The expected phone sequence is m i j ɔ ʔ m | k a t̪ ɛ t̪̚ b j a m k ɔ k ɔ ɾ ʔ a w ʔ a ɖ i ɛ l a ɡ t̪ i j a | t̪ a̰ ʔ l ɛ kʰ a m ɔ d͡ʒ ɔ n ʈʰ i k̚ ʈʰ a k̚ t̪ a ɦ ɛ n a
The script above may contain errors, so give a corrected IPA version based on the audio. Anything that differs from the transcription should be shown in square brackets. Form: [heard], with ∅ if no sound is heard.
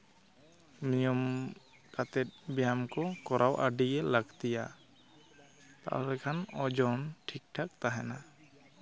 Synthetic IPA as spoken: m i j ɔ [∅] m | k a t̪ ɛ t̪̚ b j a m k ɔ k ɔ ɾ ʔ a w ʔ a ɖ i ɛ l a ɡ t̪ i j a | t̪ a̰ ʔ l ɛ kʰ a [n] ɔ d͡ʒ ɔ n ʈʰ i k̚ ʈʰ a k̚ t̪ a ɦ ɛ n a